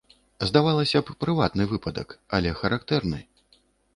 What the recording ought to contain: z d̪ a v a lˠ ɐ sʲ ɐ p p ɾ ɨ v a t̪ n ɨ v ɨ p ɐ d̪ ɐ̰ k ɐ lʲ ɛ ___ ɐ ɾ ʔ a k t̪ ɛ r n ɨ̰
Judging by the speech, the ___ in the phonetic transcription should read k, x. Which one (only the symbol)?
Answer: x